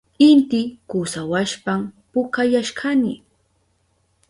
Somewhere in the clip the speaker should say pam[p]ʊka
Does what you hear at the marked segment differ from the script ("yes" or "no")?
no